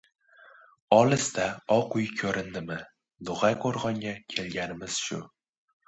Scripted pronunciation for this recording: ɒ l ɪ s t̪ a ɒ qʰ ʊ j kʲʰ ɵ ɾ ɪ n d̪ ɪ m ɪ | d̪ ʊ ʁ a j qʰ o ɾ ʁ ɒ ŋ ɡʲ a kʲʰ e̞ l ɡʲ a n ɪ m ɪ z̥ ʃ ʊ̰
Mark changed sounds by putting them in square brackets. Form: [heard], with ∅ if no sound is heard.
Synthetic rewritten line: ɒ l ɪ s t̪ a ɒ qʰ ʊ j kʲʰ ɵ ɾ ɪ n d̪ ɪ m ɪ | d̪ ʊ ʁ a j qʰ o ɾ ʁ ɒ ŋ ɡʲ a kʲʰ e̞ l ɡʲ a n ɪ m ɪ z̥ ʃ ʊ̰